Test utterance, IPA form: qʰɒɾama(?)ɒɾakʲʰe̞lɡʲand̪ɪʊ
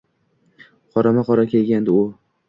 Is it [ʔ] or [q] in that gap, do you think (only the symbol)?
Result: q